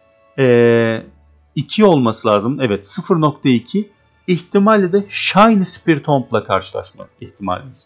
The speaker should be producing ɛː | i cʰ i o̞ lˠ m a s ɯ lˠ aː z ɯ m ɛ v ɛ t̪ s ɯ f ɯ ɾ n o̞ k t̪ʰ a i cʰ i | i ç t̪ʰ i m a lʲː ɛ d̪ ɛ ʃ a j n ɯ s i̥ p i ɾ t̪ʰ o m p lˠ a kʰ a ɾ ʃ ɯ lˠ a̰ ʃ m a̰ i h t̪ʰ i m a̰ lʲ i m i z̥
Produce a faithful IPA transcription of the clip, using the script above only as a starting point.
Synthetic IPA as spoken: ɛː | i cʰ i o̞ lˠ m a s ɯ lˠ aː z ɯ m ɛ v ɛ t̪ s ɯ f ɯ ɾ n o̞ k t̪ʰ a i cʰ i | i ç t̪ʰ i m a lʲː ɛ d̪ ɛ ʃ a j n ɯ s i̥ p i ɾ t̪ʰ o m p lˠ a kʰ a ɾ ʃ ɯ lˠ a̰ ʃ m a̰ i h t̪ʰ i m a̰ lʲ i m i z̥